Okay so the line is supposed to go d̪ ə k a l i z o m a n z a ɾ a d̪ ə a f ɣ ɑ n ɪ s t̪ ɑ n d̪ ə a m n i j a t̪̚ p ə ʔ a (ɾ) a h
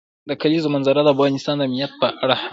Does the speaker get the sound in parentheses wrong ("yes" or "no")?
yes